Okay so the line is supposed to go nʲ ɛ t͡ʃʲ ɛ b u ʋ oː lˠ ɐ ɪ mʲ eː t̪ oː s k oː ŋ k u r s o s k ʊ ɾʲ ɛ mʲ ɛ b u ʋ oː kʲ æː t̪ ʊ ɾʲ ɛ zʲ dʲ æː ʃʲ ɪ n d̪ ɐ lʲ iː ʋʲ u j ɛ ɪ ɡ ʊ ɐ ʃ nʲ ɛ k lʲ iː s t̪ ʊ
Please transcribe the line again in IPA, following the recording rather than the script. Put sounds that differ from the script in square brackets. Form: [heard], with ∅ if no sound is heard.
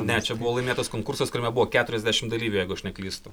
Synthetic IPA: nʲ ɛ t͡ʃʲ ɛ b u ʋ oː lˠ ɐ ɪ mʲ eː t̪ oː s k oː ŋ k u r s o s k ʊ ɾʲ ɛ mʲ ɛ b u ʋ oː kʲ æː t̪ ʊ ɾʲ ɛ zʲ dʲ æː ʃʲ ɪ [m] d̪ ɐ lʲ iː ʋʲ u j ɛ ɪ ɡ ʊ ɐ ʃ nʲ ɛ k lʲ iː s t̪ ʊ

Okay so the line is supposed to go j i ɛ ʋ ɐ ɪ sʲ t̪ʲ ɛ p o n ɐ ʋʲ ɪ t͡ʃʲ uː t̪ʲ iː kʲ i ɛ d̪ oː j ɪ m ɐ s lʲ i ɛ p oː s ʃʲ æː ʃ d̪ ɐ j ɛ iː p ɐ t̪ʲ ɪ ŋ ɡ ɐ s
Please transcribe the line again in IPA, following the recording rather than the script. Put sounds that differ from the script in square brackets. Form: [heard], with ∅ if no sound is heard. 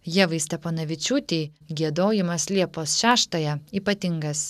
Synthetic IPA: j i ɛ ʋ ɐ ɪ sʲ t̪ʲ ɛ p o n ɐ ʋʲ ɪ t͡ʃʲ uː t̪ʲ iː [ɡʲ] i ɛ d̪ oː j ɪ m ɐ s lʲ i ɛ p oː s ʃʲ æː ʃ [t̪] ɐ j ɛ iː p ɐ t̪ʲ ɪ ŋ ɡ ɐ s

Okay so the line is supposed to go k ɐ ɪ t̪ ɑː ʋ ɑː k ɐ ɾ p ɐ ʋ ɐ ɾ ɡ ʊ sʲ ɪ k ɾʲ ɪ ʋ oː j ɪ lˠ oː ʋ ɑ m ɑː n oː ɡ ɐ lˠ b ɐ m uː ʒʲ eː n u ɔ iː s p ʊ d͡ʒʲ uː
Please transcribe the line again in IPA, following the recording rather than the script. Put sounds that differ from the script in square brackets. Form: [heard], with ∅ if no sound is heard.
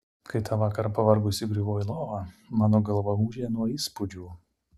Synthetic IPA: k ɐ ɪ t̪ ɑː ʋ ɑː k ɐ ɾ p ɐ ʋ ɐ ɾ ɡ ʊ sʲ ɪ [ɡ] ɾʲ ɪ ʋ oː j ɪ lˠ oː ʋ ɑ m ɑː n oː ɡ ɐ lˠ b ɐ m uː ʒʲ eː n u ɔ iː s p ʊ d͡ʒʲ uː

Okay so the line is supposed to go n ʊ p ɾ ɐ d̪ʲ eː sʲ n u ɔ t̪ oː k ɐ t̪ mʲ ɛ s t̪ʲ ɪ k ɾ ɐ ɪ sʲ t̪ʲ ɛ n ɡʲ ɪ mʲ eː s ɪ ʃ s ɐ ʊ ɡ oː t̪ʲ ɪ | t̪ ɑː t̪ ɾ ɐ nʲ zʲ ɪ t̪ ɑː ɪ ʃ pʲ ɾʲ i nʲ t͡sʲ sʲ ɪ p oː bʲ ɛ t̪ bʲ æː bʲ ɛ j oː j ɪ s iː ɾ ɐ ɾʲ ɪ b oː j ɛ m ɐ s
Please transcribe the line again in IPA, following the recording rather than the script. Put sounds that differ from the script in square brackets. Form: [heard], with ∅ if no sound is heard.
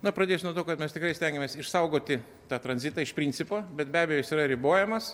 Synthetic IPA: n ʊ p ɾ ɐ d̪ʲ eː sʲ n u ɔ t̪ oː k ɐ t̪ mʲ ɛ s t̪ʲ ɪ k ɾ ɐ ɪ sʲ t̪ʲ ɛ [ŋ] ɡʲ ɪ mʲ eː s ɪ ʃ s ɐ ʊ ɡ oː t̪ʲ ɪ | t̪ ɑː t̪ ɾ ɐ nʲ zʲ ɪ t̪ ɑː ɪ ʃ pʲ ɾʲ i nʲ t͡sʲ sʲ ɪ p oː bʲ ɛ t̪ bʲ æː bʲ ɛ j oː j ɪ s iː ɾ ɐ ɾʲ ɪ b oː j ɛ m ɐ s

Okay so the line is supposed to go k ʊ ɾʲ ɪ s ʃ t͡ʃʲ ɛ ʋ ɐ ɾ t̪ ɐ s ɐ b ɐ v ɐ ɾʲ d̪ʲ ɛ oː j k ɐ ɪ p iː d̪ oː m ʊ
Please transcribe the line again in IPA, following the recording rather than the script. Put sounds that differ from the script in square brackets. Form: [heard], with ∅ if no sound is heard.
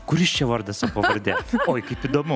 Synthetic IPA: k ʊ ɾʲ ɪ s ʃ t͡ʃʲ ɛ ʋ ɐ ɾ [d̪] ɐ s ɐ [p] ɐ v ɐ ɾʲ d̪ʲ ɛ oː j k ɐ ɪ p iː d̪ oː m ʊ

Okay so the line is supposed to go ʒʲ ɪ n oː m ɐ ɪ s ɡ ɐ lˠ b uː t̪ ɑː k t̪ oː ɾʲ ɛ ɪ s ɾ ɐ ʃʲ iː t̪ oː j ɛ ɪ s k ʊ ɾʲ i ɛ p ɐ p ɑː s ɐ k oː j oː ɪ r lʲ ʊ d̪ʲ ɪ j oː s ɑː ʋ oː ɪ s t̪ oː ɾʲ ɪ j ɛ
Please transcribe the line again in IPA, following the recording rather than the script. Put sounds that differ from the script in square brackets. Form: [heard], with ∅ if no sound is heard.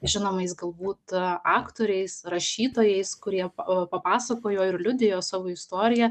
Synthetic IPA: ʒʲ ɪ n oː m ɐ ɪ s ɡ ɐ lˠ b uː t̪ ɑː k t̪ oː ɾʲ ɛ ɪ s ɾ ɐ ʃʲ iː t̪ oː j ɛ ɪ s k ʊ ɾʲ i ɛ p ɐ p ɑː s ɐ k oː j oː ɪ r lʲ ʊ d̪ʲ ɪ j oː s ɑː ʋ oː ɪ s t̪ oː ɾʲ ɪ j ɛ

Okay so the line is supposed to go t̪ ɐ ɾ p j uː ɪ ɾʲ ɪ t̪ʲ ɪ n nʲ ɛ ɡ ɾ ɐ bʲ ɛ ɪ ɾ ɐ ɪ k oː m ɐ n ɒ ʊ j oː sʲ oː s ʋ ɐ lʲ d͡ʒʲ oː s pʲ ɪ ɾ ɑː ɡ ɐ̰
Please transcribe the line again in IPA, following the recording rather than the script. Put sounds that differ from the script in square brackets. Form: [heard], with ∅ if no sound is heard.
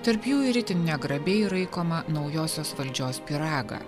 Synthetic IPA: t̪ ɐ ɾ p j uː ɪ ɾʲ ɪ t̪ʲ ɪ n nʲ ɛ ɡ ɾ ɐ bʲ ɛ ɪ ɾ ɐ ɪ k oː m ɐ n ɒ ʊ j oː sʲ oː s ʋ ɐ lʲ d͡ʒʲ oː s pʲ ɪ ɾ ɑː ɡ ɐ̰

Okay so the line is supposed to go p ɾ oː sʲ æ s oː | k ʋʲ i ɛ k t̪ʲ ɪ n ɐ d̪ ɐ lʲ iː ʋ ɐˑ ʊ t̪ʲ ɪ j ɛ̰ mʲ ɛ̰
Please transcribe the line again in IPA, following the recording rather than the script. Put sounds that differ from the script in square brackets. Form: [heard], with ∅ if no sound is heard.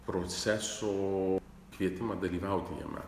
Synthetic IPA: p ɾ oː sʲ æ s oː | k ʋʲ i ɛ [∅] t̪ʲ ɪ [m] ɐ d̪ ɐ lʲ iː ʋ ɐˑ ʊ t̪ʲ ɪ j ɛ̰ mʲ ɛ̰

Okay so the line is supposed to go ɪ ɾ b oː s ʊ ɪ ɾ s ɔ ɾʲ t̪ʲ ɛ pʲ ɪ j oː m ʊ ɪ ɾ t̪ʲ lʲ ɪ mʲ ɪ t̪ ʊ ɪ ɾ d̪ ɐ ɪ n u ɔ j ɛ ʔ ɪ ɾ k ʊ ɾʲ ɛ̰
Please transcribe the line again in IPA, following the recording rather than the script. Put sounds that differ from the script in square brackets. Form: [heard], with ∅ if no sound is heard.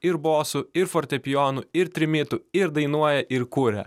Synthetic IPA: ɪ ɾ b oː s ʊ ɪ ɾ [f] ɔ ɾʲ t̪ʲ ɛ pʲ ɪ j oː [n] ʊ ɪ ɾ t̪ʲ [ɾʲ] ɪ mʲ ɪ t̪ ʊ ɪ ɾ d̪ ɐ ɪ n u ɔ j ɛ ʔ ɪ ɾ k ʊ ɾʲ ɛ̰

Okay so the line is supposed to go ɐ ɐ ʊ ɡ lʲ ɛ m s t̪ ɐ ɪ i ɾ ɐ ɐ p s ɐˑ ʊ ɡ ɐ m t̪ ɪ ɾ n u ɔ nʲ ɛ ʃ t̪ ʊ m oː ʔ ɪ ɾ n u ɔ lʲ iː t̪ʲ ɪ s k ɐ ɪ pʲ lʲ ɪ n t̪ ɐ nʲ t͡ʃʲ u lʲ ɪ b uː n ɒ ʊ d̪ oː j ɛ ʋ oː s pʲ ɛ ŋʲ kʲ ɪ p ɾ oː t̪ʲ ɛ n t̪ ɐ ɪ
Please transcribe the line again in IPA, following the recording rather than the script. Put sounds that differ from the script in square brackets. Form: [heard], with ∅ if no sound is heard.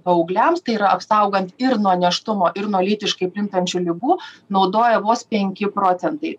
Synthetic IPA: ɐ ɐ ʊ ɡ lʲ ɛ m s t̪ ɐ ɪ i ɾ ɐ ɐ p s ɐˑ ʊ ɡ ɐ [n] t̪ ɪ ɾ n u ɔ nʲ ɛ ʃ t̪ ʊ m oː ʔ ɪ ɾ n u ɔ lʲ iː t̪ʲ ɪ [ʃ] k ɐ ɪ pʲ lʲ ɪ n t̪ ɐ nʲ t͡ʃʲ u lʲ ɪ b uː n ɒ ʊ d̪ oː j ɛ ʋ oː s pʲ ɛ ŋʲ kʲ ɪ p ɾ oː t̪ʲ ɛ n t̪ ɐ ɪ

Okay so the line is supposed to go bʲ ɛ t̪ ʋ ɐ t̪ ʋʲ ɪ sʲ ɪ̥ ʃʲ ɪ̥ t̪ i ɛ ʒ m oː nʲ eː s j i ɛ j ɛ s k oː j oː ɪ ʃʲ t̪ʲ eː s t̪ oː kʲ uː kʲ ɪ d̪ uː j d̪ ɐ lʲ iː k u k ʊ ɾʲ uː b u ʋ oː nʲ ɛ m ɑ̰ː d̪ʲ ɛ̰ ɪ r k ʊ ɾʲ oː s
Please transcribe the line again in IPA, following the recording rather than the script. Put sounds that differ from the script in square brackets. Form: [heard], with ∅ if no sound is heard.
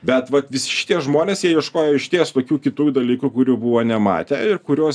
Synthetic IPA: bʲ ɛ t̪ ʋ ɐ t̪ ʋʲ ɪ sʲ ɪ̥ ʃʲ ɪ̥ t̪ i ɛ ʒ m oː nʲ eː s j i ɛ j ɛ [ʃ] k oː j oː ɪ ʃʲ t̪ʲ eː s t̪ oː kʲ uː kʲ ɪ [t̪] uː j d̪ ɐ lʲ iː k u k ʊ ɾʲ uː b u ʋ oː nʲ ɛ m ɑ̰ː [t̪ʲ] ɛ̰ ɪ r k ʊ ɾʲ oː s

